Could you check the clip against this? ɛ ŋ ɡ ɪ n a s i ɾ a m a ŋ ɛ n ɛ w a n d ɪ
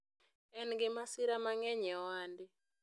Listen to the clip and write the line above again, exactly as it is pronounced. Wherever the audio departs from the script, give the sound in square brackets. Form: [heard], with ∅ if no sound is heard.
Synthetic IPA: ɛ [n] ɡ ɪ [m] a s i ɾ a m a ŋ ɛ [ɲ] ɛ w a n d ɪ